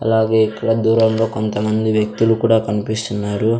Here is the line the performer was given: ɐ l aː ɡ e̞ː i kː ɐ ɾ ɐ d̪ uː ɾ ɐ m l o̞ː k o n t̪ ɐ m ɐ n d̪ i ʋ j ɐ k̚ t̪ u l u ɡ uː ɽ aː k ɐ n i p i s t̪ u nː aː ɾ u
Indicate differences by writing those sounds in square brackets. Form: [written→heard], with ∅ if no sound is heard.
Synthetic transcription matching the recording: ɐ l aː ɡ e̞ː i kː ɐ [ɾ→ɽ] ɐ d̪ uː ɾ ɐ m l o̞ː k o n t̪ ɐ m ɐ n d̪ i ʋ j ɐ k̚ t̪ u l u [ɡ→k] uː ɽ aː k ɐ n i p i s t̪ u nː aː ɾ u